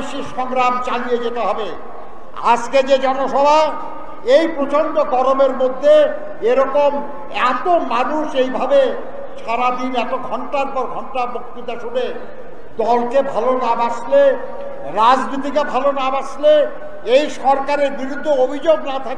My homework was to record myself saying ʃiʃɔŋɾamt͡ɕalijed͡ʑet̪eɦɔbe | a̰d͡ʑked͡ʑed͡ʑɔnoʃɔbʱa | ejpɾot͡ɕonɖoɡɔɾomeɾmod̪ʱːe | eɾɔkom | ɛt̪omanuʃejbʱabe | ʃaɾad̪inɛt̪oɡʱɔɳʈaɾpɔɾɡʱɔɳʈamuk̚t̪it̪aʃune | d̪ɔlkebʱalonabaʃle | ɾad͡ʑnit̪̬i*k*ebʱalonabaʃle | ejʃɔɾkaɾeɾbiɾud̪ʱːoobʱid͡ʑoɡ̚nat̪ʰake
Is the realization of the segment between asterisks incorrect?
no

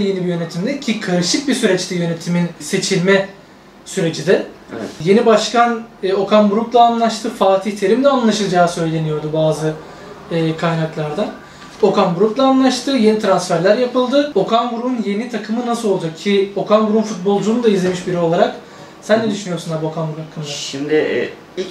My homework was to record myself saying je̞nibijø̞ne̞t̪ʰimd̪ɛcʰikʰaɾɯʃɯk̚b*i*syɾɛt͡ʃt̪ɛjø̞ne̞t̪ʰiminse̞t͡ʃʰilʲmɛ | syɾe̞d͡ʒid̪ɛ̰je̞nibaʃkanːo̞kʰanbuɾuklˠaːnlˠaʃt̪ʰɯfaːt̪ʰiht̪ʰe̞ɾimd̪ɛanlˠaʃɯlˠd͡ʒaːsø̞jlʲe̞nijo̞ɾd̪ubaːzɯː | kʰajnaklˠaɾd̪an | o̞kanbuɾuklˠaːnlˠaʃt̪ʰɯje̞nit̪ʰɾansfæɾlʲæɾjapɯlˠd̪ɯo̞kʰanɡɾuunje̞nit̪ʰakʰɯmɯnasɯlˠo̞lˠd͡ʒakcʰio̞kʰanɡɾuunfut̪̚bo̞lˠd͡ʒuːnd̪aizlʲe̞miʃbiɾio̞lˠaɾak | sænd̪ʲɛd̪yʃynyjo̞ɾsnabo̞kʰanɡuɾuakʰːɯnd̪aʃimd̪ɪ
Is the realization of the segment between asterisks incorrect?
no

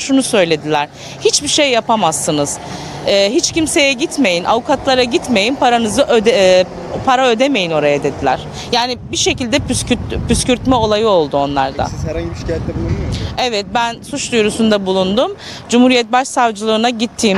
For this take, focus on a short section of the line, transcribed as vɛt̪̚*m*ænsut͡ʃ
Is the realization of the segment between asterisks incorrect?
yes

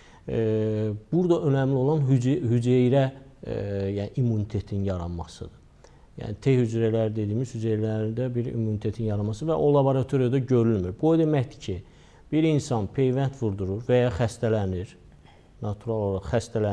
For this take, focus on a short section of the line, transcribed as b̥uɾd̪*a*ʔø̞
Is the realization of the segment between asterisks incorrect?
yes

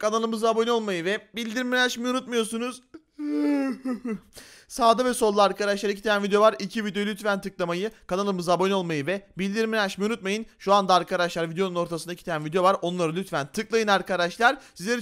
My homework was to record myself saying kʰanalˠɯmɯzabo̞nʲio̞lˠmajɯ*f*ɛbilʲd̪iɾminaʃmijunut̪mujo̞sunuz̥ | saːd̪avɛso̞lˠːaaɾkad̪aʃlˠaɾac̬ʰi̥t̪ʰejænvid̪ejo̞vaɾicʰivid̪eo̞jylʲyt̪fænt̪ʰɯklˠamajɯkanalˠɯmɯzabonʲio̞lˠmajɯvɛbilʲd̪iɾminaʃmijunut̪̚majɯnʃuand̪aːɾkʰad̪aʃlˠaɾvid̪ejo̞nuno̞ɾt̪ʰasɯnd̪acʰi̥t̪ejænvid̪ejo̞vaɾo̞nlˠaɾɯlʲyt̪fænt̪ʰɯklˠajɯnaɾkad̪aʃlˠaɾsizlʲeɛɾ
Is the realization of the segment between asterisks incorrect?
yes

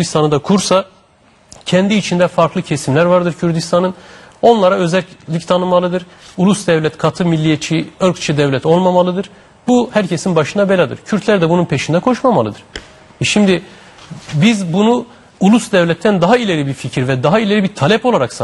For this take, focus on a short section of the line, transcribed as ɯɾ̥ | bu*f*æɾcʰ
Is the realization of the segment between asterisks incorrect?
yes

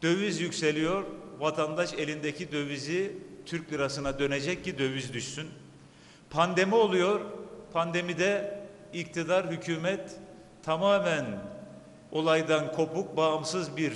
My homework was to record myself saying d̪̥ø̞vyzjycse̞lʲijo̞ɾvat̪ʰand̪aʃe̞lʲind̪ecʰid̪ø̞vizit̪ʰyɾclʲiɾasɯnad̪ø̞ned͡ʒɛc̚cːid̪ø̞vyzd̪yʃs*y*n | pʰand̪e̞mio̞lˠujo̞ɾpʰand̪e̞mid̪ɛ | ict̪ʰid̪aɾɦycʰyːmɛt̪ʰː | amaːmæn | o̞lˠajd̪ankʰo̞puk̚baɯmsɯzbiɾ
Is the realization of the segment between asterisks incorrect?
no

